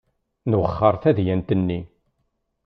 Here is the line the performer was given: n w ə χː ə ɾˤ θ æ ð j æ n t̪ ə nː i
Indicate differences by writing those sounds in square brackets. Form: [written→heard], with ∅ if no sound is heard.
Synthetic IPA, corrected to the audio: n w ə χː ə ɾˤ θ æ ð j æ n t̪ ə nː i